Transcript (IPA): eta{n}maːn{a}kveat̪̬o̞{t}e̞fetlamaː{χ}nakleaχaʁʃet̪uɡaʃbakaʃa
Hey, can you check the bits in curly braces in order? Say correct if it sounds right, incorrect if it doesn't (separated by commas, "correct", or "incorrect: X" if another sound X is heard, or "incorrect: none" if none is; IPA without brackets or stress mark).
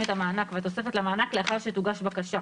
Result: incorrect: none, correct, incorrect: s, incorrect: none